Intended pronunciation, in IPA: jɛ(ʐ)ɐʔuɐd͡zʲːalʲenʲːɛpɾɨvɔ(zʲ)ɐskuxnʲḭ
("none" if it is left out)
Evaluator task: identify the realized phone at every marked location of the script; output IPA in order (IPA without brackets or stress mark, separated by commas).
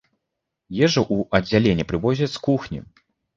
ʐ, zʲ